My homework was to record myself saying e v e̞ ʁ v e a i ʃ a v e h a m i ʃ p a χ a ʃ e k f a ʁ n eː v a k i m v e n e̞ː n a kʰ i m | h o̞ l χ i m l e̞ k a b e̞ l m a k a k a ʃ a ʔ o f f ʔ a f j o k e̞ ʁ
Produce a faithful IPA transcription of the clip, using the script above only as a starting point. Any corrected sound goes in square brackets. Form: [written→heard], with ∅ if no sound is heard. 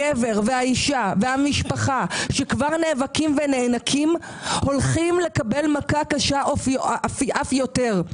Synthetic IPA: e v e̞ ʁ v e a i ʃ a v e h a m i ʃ p a χ a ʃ e k [f→v] a ʁ n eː v a k i m v e n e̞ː n a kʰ i m | h o̞ l χ i m l e̞ k a b e̞ l m a k a k a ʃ a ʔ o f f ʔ a f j o [k→t] e̞ ʁ